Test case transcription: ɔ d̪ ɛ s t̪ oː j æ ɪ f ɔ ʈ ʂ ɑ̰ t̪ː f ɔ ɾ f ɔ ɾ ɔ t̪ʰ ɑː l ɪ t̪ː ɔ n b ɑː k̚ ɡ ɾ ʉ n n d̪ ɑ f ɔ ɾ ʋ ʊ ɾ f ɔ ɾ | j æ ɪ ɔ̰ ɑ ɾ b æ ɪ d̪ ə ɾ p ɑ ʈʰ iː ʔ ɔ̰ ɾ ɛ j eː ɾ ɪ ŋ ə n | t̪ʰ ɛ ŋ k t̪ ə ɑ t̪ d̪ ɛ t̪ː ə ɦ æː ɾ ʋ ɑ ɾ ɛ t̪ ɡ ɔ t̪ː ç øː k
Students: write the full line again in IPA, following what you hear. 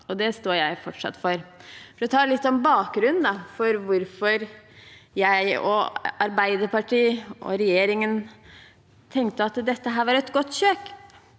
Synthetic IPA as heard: ɔ d̪ ɛ s t̪ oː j æ ɪ f ɔ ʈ ʂ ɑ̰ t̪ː f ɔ ɾ f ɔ ɾ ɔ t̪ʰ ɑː l ɪ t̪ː ɔ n b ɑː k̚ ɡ ɾ ʉ n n d̪ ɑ f ɔ ɾ ʋ ʊ ɾ f ɔ ɾ | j æ ɪ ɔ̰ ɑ ɾ b æ ɪ d̪ ə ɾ p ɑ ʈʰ iː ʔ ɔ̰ ɾ ɛ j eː ɾ ɪ ŋ ə n | t̪ʰ ɛ ŋ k t̪ ə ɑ t̪ d̪ ɛ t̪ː ə ɦ æː ɾ ʋ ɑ ɾ ɛ t̪ ɡ ɔ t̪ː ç øː k

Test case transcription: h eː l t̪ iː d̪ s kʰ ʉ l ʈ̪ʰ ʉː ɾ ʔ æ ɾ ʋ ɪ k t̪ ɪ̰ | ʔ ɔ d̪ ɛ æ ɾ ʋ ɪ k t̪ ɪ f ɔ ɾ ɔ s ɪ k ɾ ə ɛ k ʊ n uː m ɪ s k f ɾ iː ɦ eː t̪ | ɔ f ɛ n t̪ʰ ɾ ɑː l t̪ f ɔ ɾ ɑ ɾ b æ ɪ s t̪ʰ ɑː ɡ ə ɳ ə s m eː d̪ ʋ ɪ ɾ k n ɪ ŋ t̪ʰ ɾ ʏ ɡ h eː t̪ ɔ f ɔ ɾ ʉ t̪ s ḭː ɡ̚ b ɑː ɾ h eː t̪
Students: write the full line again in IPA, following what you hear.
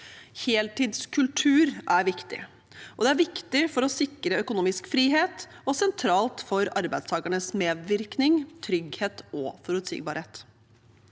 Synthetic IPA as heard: h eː l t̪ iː d̪ s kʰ ʉ l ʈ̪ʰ ʉː ɾ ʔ æ ɾ ʋ ɪ k t̪ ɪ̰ | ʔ ɔ d̪ ɛ æ ɾ ʋ ɪ k t̪ ɪ f ɔ ɾ ɔ s ɪ k ɾ ə œ k ʊ n uː m ɪ s k f ɾ iː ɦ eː t̪ | ɔ s ɛ n t̪ʰ ɾ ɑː l t̪ f ɔ ɾ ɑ ɾ b æ ɪ s t̪ʰ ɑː ɡ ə ɳ ə s m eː d̪ ʋ ɪ ɾ k n ɪ ŋ t̪ʰ ɾ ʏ ɡ h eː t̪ ɔ f ɔ ɾ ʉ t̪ s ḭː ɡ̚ b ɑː ɾ h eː t̪

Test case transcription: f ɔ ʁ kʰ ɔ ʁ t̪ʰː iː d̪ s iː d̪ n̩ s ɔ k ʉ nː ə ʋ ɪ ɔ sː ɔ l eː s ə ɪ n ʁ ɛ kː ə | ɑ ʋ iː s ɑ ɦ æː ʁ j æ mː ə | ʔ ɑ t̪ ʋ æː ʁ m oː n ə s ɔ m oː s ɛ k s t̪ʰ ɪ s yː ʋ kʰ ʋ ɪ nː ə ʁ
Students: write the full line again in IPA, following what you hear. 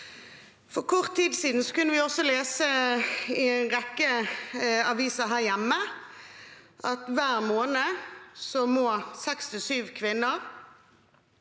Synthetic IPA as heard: f ɔ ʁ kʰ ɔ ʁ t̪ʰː iː d̪ s iː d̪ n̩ s ɔ k ʉ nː ə ʋ ɪ ɔ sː ɔ l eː s ə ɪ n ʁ ɛ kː ə | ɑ ʋ iː s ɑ ɦ æː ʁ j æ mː ə | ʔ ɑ t̪ ʋ æː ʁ m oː n ə s ɔ m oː s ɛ k s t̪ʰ ɪ s yː ʋ kʰ ʋ ɪ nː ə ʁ

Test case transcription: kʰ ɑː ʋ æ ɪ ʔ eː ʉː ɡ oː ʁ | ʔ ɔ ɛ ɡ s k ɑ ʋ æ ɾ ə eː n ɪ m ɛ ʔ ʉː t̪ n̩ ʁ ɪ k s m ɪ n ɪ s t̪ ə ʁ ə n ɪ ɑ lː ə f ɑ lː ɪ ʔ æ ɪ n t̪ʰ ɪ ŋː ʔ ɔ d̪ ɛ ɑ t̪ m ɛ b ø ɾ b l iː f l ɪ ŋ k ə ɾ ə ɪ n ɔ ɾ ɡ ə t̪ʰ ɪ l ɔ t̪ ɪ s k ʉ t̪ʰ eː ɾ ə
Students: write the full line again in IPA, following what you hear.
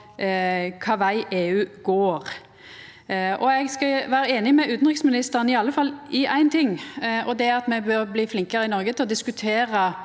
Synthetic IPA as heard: kʰ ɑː ʋ æ ɪ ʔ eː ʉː ɡ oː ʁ | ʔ ɔ ɛ ɡ s k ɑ ʋ æː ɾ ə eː n ɪ m ɛ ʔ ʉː t̪ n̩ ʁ ɪ k s m ɪ n ɪ s t̪ ə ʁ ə n ɪ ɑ lː ə f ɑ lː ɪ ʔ æ ɪ n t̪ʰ ɪ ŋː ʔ ɔ d̪ ɛ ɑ t̪ m ɛ b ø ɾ b l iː f l ɪ ŋ k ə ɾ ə ɪ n ɔ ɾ ɡ ə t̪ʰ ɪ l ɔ d̪ ɪ s k ʉ t̪ʰ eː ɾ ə

